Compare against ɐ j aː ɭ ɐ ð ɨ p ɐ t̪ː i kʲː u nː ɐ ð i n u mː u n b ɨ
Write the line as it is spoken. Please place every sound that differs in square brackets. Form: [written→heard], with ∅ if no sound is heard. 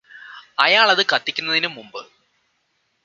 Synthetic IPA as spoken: ɐ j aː ɭ ɐ ð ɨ [p→k] ɐ t̪ː i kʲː u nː ɐ ð i n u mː u [n→m] b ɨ

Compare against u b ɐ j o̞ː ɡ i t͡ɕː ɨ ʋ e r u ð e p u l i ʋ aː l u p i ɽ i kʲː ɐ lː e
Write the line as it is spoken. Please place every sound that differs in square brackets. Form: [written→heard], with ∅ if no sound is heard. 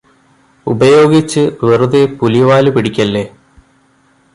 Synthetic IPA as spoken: u b ɐ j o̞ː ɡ i t͡ɕː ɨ ʋ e r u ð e p u l i ʋ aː l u p i ɽ i kʲː ɐ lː e

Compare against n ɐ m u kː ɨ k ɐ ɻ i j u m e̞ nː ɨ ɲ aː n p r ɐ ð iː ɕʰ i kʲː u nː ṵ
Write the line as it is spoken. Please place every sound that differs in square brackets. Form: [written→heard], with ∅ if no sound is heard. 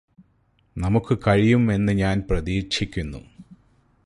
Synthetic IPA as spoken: n ɐ m u kː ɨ k ɐ ɻ i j u m e̞ nː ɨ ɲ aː n p r ɐ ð iː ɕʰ i kʲː u nː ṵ

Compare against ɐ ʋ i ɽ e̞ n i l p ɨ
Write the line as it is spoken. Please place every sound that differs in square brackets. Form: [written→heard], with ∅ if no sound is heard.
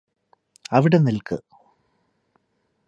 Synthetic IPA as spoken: ɐ ʋ i ɽ e̞ n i l [p→k] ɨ

